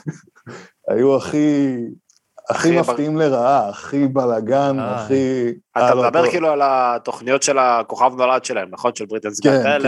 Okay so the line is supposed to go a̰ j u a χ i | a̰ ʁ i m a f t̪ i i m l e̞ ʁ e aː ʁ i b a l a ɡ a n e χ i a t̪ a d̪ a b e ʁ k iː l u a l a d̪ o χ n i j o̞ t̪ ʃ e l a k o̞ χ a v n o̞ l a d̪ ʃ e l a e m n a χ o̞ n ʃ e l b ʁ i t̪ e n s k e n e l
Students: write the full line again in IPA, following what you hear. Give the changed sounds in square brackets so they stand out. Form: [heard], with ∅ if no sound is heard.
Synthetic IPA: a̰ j u a χ i | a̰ [χ] i m a f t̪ i i m l e̞ ʁ [a] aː [χ] i b a l a ɡ a n [a] χ i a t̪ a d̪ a b e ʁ k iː l u a l a [t̪] o χ n i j o̞ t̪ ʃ e l a k o̞ χ a v n o̞ l a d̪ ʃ e l a e m n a χ o̞ n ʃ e l b ʁ i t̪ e n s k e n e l